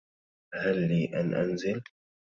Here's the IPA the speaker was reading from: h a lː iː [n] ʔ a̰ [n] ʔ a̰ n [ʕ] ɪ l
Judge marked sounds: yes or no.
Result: no, yes, no

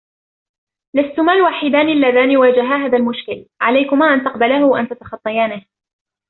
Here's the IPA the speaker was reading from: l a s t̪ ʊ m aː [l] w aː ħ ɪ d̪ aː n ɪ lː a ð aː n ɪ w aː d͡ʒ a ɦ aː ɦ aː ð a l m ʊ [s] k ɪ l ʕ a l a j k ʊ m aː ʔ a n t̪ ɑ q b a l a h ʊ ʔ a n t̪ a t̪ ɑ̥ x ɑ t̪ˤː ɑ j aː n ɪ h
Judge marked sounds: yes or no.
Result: yes, no

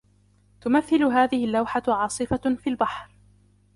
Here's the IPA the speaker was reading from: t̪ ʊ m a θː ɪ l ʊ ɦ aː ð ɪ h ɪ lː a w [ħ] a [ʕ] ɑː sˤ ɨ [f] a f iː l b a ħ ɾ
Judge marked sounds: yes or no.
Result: yes, yes, yes

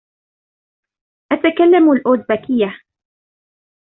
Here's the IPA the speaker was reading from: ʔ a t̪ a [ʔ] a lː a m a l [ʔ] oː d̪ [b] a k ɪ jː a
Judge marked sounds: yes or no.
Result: no, yes, yes

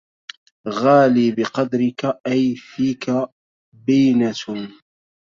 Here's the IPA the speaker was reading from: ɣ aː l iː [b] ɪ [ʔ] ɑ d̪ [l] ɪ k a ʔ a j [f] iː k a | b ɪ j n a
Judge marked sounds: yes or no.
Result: yes, no, no, yes

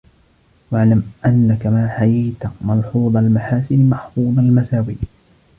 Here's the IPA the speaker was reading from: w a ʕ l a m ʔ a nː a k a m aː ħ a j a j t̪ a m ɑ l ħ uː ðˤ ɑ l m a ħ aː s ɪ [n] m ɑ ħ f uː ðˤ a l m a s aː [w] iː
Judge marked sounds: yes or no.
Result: yes, yes

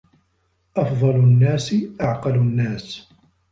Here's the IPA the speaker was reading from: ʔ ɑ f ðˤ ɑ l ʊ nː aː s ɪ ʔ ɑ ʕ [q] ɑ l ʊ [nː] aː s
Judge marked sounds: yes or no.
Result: yes, yes

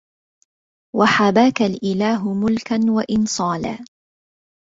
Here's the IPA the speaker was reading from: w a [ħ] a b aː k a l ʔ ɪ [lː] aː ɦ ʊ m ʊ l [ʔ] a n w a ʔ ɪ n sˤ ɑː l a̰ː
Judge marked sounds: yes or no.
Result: yes, no, no

